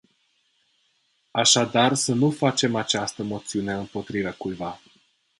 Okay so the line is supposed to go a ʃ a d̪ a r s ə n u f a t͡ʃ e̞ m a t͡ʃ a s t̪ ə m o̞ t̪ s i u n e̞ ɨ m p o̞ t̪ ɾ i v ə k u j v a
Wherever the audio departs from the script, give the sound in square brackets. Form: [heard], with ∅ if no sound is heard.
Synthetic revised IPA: a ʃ a d̪ a r s ə n u f a t͡ʃ e̞ m a t͡ʃ a s t̪ ə m o̞ t̪ s i u n e̞ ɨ m p o̞ t̪ ɾ i v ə k u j v a